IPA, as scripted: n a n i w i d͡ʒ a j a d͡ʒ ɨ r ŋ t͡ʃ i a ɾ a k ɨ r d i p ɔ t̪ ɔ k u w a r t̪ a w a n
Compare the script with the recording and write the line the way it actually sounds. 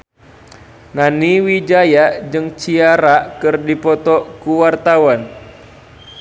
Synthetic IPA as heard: n a n i w i d͡ʒ a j a d͡ʒ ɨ ŋ t͡ʃ i a ɾ a k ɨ r d i p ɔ t̪ ɔ k u w a r t̪ a w a n